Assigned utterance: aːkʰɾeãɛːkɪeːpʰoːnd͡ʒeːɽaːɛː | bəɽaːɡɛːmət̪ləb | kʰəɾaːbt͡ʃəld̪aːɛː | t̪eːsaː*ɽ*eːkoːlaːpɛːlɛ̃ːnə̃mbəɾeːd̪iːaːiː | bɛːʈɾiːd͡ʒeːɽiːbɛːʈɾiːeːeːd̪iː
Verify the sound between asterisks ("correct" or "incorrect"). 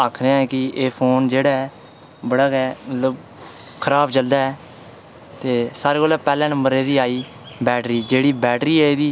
incorrect